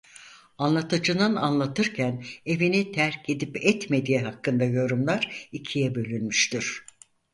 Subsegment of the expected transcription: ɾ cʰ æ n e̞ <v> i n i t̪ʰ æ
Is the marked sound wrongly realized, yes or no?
no